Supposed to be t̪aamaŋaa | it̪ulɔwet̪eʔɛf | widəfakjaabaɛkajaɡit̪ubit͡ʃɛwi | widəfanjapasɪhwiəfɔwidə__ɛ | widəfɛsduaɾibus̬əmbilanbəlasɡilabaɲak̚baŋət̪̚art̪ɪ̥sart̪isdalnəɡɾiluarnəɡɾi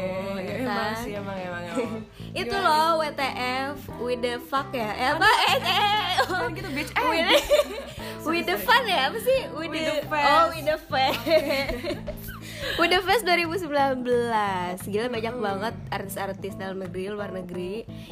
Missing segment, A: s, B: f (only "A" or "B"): B